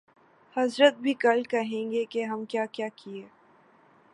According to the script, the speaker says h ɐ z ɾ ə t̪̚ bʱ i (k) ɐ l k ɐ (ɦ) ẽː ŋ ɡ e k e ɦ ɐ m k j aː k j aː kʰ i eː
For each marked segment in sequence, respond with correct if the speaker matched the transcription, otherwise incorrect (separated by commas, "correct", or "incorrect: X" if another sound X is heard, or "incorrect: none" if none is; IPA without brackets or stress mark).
correct, correct